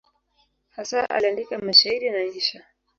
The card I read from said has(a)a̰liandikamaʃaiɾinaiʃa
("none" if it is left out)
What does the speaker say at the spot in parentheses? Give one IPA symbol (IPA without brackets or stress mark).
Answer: a